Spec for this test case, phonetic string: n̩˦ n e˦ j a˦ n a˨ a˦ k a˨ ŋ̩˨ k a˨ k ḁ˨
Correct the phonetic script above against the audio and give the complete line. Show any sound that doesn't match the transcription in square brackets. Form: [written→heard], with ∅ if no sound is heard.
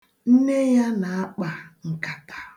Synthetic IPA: n̩˦ n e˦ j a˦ n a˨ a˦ [k→k͡p] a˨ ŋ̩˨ k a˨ [k→t] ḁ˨

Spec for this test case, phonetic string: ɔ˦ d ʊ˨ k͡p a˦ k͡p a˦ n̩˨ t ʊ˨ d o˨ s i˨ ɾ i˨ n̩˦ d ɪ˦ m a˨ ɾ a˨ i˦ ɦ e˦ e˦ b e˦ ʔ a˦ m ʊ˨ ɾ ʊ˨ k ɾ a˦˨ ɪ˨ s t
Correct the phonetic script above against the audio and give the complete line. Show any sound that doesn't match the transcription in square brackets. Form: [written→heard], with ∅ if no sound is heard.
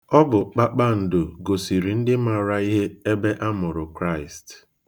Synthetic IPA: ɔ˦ [d→b] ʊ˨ k͡p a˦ k͡p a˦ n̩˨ [t→d] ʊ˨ [d→ɡ] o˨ s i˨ ɾ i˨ n̩˦ d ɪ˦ m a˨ ɾ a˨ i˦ ɦ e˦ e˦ b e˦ ʔ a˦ m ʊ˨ ɾ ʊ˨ k ɾ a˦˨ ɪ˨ s t

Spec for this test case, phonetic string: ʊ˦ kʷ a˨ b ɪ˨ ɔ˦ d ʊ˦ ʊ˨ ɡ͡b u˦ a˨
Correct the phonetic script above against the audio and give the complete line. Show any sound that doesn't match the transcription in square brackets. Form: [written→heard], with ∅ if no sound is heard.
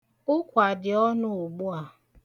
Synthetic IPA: ʊ˦ kʷ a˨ [b→d] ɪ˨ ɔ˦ [d→n] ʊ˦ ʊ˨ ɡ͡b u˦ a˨

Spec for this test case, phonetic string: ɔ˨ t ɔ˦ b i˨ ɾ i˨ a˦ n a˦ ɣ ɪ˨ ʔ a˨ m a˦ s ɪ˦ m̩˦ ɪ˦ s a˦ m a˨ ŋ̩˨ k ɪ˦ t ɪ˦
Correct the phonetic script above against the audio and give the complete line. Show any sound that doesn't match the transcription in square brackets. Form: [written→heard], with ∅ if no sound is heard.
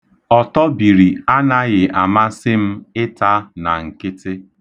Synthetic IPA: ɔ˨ t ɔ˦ b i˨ ɾ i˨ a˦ n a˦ ɣ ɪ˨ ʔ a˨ m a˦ s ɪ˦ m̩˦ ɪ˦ [s→t] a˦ [m→n] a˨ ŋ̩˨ k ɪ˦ t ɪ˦

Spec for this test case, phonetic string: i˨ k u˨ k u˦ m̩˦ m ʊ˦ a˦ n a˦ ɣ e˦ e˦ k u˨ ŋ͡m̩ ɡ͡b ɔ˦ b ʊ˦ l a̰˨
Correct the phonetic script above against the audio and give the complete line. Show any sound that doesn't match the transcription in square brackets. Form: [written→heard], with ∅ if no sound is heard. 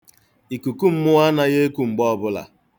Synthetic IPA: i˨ k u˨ k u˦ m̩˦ m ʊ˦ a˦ n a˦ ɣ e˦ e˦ k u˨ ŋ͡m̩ ɡ͡b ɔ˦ b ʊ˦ l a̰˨

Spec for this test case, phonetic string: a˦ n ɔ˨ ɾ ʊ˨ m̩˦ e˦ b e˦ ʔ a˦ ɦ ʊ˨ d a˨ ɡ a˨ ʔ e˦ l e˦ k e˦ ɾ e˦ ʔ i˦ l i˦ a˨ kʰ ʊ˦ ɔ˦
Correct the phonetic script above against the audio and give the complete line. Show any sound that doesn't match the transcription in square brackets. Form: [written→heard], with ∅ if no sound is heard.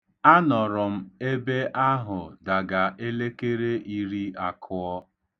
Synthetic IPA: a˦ n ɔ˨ ɾ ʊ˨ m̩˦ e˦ b e˦ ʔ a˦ ɦ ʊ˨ d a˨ ɡ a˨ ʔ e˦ l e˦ k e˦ ɾ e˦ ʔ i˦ [l→ɾ] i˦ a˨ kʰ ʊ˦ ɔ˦

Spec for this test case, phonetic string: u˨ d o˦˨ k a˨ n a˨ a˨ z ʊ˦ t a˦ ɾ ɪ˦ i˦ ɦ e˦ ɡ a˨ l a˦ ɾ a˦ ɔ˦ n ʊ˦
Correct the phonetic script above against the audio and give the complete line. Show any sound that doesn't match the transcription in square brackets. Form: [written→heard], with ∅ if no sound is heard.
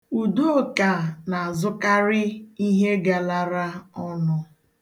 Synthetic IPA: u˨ d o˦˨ k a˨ n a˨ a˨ z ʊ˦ [t→k] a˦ ɾ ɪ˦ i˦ ɦ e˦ ɡ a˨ l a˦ ɾ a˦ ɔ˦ n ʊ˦

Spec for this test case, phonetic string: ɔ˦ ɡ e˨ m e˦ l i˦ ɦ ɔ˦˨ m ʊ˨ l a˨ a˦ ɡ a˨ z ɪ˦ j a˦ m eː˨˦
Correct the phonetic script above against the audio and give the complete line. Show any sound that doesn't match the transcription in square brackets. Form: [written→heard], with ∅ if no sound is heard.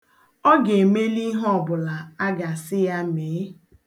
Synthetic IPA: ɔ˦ ɡ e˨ m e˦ l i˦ ɦ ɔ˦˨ [m→b] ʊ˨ l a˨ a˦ ɡ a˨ [z→s] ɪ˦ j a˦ m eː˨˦

